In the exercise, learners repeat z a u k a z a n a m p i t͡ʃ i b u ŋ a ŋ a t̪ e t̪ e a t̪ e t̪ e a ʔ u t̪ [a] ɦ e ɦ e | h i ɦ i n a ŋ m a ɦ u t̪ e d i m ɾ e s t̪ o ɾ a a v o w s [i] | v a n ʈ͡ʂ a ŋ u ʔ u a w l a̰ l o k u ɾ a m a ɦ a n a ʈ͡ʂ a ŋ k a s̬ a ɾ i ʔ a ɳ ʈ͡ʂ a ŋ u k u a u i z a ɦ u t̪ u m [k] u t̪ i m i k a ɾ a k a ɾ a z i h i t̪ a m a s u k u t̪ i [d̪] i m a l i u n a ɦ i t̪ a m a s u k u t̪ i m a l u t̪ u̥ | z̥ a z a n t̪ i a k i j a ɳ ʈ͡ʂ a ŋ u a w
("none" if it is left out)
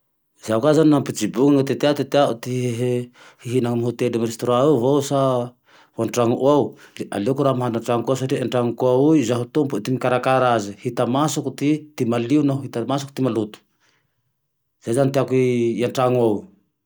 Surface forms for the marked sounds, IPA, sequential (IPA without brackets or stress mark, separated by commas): i, a, p, t̪